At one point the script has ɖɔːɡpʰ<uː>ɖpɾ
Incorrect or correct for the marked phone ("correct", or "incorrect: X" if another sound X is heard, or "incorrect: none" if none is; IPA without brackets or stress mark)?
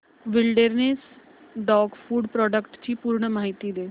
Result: correct